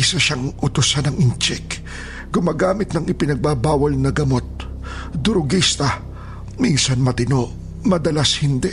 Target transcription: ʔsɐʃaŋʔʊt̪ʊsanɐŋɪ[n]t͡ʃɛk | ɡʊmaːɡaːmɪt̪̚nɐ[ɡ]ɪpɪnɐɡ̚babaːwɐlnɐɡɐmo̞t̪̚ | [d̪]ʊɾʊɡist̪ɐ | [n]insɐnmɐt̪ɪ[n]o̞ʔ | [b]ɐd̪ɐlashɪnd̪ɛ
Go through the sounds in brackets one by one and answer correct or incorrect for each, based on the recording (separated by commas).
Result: correct, incorrect, correct, incorrect, correct, incorrect